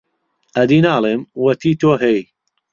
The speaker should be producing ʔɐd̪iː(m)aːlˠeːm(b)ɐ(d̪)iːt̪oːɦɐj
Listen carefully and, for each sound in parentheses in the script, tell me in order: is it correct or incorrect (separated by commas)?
incorrect, incorrect, incorrect